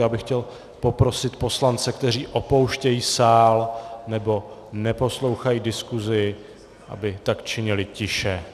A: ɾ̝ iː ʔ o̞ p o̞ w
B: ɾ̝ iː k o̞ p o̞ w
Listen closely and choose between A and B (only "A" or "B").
A